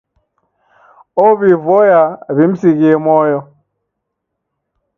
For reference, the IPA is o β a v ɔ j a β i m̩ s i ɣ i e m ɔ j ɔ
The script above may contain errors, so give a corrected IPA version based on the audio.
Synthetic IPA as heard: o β i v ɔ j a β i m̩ s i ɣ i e m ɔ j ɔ